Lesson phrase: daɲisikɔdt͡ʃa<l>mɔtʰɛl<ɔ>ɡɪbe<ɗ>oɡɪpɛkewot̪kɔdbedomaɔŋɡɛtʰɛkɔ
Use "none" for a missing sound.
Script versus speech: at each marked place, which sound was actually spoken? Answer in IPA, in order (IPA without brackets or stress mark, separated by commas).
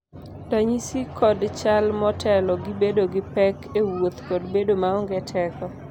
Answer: l, ɔ, d